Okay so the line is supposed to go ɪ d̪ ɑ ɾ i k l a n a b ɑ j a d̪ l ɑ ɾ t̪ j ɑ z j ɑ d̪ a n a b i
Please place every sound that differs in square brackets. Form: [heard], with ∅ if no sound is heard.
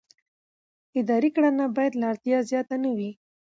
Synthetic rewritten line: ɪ d̪ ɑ ɾ i k [ɽ] a n a b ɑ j a d̪ l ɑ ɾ t̪ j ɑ z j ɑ [t̪] a n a [w] i